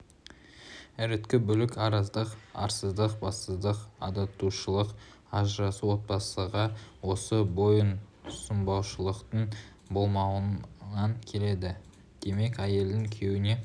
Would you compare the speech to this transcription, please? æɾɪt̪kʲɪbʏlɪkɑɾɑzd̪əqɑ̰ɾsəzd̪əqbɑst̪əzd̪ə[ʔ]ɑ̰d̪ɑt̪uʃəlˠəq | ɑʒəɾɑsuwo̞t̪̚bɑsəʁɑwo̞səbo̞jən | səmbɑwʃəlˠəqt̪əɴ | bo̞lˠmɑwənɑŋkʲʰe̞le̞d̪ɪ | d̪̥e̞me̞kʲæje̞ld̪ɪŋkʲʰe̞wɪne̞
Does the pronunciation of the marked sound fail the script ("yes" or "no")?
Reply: yes